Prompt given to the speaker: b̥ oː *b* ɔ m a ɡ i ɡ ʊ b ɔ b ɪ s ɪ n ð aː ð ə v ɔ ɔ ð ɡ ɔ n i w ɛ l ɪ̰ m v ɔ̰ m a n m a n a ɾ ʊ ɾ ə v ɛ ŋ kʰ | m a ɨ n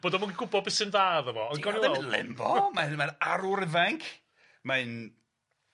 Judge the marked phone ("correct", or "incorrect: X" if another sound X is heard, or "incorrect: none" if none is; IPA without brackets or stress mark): incorrect: d